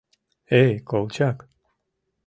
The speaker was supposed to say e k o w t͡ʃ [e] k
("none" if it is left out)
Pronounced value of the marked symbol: a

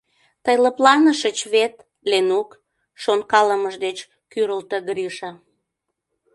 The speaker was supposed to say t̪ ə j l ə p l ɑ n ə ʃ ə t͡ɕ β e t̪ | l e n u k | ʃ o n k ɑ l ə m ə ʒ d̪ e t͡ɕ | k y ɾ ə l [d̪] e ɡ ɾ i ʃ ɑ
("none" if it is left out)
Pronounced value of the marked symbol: t̪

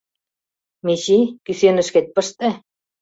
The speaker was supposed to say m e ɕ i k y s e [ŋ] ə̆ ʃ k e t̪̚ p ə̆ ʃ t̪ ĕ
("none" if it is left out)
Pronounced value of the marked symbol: n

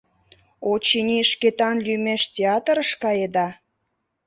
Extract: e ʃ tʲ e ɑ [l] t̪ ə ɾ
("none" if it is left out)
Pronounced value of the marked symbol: none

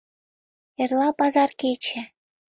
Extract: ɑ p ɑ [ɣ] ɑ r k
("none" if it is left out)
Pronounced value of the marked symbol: z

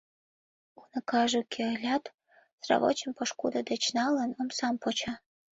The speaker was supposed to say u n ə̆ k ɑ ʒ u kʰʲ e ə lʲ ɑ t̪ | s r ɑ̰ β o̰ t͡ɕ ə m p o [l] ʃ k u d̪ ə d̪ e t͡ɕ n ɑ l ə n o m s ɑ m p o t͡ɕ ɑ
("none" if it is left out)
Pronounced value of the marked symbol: none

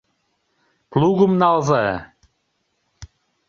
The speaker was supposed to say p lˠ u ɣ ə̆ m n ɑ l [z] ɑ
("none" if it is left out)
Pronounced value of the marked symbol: z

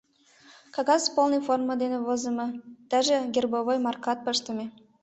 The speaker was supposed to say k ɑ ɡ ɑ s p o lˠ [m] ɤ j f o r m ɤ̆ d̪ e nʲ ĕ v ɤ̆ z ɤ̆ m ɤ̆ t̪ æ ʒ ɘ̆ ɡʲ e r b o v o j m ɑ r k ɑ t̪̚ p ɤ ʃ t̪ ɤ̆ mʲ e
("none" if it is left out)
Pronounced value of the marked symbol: n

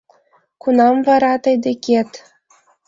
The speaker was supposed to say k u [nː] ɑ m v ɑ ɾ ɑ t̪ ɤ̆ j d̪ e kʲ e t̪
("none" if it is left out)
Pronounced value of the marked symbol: n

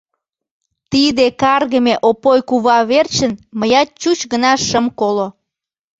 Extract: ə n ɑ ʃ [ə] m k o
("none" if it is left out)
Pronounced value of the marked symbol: ə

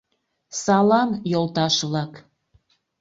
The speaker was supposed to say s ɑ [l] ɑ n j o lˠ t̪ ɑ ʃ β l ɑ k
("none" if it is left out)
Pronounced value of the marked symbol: l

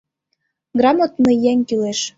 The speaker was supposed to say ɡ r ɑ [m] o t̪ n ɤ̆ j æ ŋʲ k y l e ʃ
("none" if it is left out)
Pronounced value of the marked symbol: m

